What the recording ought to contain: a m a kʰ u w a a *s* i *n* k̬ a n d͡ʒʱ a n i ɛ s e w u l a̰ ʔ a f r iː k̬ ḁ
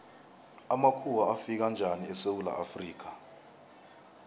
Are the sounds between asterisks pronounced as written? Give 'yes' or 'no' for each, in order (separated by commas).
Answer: no, no